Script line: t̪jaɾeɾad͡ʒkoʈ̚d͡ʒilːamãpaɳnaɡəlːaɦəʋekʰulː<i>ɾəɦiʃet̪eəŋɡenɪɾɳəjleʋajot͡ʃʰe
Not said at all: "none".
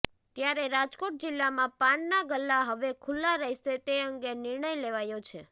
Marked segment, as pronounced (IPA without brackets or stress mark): a